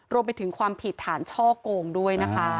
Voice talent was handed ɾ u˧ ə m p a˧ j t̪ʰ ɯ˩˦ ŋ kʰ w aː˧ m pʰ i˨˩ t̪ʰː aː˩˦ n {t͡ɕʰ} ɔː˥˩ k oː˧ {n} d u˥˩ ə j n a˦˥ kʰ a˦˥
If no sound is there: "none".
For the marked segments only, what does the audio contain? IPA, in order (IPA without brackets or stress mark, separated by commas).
t͡ɕʰ, ŋ